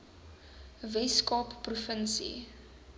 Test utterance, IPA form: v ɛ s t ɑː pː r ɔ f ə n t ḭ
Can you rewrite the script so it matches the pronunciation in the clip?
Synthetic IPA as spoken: v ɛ s k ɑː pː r u f ə n s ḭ